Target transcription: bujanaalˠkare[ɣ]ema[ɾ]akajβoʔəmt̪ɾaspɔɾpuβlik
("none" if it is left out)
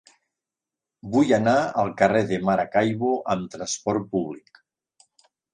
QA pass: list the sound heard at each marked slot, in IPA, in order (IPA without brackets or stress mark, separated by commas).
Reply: ð, ɾ